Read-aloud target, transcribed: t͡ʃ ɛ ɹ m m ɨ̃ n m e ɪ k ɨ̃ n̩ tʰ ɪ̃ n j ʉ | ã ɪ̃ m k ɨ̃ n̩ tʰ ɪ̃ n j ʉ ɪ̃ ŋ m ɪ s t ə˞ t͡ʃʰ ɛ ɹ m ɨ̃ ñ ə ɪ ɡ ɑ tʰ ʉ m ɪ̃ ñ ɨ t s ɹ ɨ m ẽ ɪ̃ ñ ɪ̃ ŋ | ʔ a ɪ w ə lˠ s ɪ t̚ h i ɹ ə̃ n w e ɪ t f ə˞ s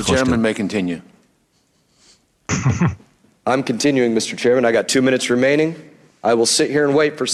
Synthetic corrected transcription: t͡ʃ ɛ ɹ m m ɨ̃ n m e ɪ k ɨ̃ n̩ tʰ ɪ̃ n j ʉ | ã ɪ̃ m k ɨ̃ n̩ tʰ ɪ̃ n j ʉ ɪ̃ ŋ m ɪ s t ə˞ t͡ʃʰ ɛ ɹ m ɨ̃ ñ a ɪ ɡ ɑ tʰ ʉ m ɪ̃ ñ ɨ t s ɹ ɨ m ẽ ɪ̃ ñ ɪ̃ ŋ | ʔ a ɪ w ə lˠ s ɪ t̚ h i ɹ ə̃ n w e ɪ t f ə˞ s